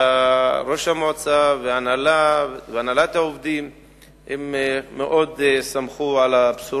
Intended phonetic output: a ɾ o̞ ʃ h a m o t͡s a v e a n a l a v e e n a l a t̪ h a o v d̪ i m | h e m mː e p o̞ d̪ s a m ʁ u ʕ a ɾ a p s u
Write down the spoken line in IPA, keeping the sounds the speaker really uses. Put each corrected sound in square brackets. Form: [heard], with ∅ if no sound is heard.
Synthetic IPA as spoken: a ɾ o̞ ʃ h a m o t͡s a v e a n a l a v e [a] n a l a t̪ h a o v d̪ i m | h e m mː e [ʔ] o̞ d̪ s a m [χ] u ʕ a [l] a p s u